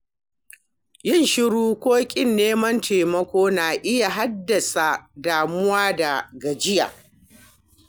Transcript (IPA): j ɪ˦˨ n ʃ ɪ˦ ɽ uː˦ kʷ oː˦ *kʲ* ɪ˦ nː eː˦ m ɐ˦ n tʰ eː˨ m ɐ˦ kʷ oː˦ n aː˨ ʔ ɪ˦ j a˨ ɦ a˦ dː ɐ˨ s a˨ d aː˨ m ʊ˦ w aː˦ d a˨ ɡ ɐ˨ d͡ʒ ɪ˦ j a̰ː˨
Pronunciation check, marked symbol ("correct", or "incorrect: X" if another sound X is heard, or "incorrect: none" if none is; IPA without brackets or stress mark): incorrect: kʲʼ